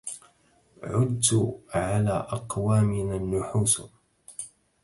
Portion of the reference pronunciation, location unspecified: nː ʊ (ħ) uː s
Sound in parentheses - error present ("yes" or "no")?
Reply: no